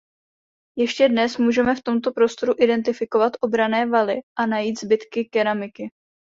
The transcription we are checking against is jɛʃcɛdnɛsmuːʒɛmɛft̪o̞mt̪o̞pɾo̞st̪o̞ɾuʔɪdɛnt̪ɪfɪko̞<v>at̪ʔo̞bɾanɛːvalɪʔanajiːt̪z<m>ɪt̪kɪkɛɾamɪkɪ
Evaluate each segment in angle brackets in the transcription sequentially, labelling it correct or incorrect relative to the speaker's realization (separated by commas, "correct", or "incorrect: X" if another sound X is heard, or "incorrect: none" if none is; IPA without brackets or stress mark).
correct, incorrect: b